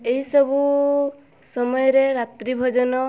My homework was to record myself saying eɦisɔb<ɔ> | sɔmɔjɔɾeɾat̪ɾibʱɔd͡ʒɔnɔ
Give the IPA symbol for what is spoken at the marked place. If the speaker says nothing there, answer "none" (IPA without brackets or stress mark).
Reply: u